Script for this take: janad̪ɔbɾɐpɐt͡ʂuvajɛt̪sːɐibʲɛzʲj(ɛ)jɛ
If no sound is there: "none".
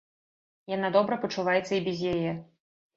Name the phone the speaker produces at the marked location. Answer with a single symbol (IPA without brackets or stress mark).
a